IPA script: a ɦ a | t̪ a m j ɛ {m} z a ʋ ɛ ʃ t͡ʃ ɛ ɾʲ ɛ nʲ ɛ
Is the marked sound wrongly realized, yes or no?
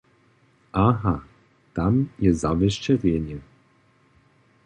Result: yes